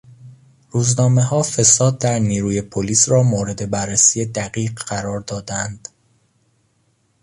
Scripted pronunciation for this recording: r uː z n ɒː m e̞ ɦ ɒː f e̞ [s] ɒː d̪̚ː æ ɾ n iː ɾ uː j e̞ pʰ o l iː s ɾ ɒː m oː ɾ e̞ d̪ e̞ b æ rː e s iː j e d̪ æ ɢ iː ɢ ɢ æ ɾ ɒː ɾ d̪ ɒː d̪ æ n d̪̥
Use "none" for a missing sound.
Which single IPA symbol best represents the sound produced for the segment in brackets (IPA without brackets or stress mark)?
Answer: s